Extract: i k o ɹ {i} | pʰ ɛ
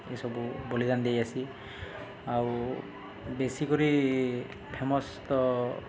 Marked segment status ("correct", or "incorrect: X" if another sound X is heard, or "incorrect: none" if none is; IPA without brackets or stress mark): correct